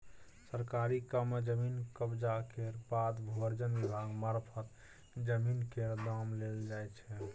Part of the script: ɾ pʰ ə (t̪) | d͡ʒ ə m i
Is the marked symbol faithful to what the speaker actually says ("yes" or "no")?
yes